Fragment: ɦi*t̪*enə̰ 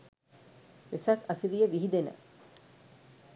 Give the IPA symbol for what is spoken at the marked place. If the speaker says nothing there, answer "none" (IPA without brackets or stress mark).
d̪